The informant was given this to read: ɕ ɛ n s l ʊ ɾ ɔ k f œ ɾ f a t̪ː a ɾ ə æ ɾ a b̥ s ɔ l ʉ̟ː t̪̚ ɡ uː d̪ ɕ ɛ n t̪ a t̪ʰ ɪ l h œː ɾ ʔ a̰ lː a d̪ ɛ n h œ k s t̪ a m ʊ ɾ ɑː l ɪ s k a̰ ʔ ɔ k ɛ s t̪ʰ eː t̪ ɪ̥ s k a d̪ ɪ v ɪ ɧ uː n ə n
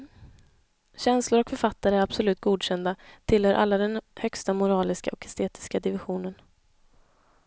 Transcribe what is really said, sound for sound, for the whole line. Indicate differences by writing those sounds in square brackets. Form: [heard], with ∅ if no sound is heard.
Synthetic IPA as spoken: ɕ ɛ n s l ʊ ɾ ɔ k f œ ɾ f a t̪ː a ɾ ə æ ɾ a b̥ s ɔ l ʉ̟ː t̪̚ ɡ uː d̪ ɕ ɛ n [d̪] a t̪ʰ ɪ l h œː ɾ ʔ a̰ lː a d̪ ɛ n h œ k s t̪ a m ʊ ɾ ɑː l ɪ s k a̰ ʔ ɔ k ɛ s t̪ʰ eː t̪ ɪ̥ s k a d̪ ɪ v ɪ ɧ uː n ə n

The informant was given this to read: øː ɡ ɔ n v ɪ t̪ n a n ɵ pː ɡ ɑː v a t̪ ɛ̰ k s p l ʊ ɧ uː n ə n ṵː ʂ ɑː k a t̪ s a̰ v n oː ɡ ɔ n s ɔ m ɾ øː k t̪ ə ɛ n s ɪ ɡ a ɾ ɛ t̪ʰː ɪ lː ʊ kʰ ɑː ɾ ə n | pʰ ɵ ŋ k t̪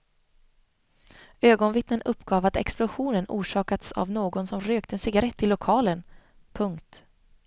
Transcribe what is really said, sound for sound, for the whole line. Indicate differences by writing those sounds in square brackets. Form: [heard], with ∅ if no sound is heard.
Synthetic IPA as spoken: øː ɡ ɔ n v ɪ t̪ n [ə] n ɵ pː ɡ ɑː v a t̪ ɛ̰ k s p l ʊ ɧ uː n ə n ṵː ʂ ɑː k a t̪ s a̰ v n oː ɡ ɔ n s ɔ m ɾ øː k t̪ ə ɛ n s ɪ ɡ a ɾ ɛ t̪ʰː ɪ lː ʊ kʰ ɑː [l] ə n | pʰ ɵ ŋ k t̪

